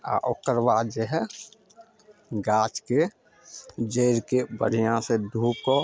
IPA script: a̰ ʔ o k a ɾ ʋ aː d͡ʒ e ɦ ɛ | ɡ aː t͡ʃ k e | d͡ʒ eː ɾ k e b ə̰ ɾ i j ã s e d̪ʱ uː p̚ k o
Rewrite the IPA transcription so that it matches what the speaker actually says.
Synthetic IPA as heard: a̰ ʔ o k ə ɾ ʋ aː d͡ʒ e ɦ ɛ | ɡ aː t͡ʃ k e | d͡ʒ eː ɾ k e b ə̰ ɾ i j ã s e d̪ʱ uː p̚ k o